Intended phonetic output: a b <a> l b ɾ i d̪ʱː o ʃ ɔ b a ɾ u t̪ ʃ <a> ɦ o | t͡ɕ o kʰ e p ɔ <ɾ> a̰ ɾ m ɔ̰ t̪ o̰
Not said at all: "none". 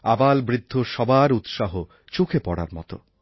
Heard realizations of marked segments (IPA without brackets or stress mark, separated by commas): a, a, ɽ